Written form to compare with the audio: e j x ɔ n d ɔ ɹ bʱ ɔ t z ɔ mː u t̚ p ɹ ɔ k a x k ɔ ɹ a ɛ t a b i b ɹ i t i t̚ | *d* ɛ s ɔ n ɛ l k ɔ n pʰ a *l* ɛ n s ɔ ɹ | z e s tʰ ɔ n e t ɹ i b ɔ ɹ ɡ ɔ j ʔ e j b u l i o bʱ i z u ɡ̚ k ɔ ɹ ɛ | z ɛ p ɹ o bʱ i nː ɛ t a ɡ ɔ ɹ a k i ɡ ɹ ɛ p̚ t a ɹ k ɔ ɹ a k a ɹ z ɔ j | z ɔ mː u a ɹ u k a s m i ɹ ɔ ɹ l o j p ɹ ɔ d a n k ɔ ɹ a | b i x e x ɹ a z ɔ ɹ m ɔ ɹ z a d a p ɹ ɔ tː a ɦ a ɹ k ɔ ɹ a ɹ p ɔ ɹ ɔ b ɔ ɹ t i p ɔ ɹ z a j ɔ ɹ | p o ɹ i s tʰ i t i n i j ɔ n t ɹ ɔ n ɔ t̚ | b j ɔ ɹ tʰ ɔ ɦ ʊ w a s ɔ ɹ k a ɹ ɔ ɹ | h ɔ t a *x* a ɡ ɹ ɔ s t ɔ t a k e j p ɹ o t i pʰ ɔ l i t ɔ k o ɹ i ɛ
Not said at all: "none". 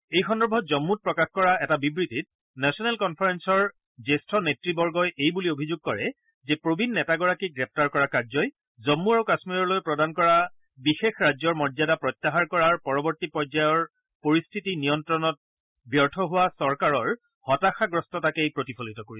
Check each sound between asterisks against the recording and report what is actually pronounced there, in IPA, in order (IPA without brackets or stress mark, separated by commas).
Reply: n, ɹ, x